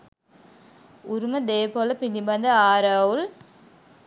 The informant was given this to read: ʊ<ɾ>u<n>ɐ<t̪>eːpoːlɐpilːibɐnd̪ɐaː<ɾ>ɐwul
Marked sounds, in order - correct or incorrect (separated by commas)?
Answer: correct, incorrect, incorrect, correct